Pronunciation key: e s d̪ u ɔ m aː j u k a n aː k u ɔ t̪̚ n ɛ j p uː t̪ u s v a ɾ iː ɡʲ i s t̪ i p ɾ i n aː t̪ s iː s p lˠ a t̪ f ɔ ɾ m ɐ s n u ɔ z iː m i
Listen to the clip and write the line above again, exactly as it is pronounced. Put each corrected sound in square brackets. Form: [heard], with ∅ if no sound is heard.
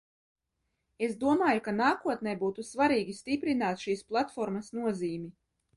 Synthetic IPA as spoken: e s d̪ u ɔ m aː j u k a n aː k u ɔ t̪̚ n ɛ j [b] uː t̪ u s v a ɾ iː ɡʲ i s t̪ i p ɾ i n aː t̪ [ʃ] iː s p lˠ a t̪ f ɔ ɾ m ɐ s n u ɔ z iː m i